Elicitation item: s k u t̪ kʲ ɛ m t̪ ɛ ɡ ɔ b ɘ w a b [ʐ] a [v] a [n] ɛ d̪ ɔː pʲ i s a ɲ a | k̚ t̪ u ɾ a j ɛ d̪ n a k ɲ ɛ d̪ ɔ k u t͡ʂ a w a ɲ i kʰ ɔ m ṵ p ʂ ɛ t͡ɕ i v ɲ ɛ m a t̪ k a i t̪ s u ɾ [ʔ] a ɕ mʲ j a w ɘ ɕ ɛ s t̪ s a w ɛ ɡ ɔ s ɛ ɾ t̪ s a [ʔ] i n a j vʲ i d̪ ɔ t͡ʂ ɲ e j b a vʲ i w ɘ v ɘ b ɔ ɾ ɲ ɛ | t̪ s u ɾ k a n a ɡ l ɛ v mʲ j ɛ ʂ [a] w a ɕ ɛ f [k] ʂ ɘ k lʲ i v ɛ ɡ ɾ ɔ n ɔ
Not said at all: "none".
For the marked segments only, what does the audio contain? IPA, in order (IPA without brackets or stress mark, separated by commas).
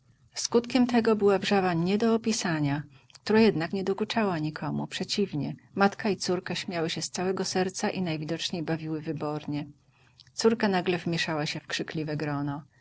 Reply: ʐ, v, ɲ, k, ʔ, a, k